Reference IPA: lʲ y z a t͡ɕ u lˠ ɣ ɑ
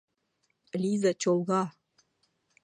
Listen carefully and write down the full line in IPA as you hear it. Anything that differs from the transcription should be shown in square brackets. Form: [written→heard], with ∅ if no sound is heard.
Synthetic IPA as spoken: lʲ [y→i] z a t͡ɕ [u→o] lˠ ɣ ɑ